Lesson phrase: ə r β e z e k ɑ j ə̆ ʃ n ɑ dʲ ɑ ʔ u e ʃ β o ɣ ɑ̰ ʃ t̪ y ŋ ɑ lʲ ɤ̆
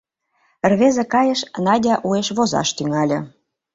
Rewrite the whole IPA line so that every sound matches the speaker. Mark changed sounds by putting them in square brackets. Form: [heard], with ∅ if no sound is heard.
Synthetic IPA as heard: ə r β e z e k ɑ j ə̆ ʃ n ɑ dʲ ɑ ʔ u e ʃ β o [z] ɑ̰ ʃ t̪ y ŋ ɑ lʲ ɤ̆

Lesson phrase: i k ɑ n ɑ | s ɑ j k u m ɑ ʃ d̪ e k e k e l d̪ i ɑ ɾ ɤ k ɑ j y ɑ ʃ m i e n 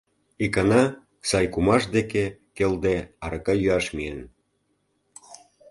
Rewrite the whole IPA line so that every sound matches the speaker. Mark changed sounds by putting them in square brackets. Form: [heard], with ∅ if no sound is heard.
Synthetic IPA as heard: i k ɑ n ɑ | s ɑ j k u m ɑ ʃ d̪ e k e k e l d̪ [e] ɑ ɾ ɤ k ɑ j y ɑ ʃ m i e n

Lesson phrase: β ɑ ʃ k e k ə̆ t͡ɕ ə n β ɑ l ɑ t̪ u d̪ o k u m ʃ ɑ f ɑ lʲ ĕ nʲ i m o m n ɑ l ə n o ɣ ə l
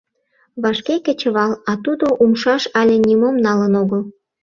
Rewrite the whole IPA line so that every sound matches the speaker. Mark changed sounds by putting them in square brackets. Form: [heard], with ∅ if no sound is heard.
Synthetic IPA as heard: β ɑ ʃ k e k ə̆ t͡ɕ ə [∅] β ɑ l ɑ t̪ u d̪ o [ʔ] u m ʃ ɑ [ʃ] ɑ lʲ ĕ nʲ i m o m n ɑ l ə n o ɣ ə l

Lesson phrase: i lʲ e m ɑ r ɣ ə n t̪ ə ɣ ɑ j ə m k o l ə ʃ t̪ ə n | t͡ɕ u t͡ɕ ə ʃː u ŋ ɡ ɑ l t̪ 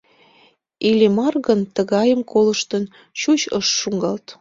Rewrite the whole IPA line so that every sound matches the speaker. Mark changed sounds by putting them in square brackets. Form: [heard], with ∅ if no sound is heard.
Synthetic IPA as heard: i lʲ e m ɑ r ɣ ə n t̪ ə ɣ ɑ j ə m k o l ə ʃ t̪ ə n | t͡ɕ u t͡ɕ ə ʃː u ŋ ɡ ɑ l t̪

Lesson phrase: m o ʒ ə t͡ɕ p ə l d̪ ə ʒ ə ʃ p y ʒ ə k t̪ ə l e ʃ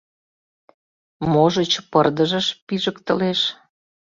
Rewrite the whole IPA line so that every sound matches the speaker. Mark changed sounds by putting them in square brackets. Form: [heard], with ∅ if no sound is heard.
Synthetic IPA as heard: m o ʒ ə t͡ɕ p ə [r] d̪ ə ʒ ə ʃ p [i] ʒ ə k t̪ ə l e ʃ

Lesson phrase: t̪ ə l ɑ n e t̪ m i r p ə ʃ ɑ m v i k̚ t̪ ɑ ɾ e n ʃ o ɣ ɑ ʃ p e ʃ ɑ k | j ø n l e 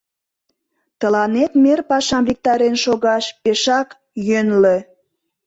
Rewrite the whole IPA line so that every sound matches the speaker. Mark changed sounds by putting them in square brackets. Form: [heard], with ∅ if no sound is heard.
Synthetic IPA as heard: t̪ ə l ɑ n e t̪ m [e] r p [ɑ] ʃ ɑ m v i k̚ t̪ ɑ ɾ e n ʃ o ɣ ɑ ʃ p e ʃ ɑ k | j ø n l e

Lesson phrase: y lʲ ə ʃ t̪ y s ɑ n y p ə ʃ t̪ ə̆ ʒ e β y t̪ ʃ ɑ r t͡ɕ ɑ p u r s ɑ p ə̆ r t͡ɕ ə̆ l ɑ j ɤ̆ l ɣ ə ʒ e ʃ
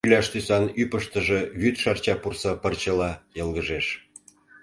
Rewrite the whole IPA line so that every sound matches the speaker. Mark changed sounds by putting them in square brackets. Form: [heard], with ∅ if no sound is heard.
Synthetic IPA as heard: y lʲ [ɑ] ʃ t̪ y s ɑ n y p ə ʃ t̪ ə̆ ʒ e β y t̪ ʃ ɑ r t͡ɕ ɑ p u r s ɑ p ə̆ r t͡ɕ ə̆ l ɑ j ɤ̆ l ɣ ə ʒ e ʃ

